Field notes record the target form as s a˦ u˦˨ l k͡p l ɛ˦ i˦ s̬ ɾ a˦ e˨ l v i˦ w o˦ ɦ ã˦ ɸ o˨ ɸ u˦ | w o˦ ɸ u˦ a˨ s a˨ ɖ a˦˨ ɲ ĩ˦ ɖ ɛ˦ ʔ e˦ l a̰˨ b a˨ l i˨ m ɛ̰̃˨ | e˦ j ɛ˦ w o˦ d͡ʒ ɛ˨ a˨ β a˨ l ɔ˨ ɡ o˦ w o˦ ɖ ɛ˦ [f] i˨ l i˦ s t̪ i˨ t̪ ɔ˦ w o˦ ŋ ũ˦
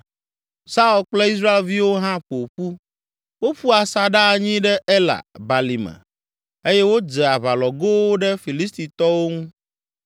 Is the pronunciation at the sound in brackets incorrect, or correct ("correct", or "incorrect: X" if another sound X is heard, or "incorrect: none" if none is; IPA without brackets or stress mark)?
correct